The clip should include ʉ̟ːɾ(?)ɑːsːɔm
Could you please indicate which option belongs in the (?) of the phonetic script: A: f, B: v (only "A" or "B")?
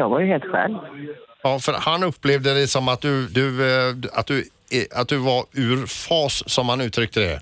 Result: A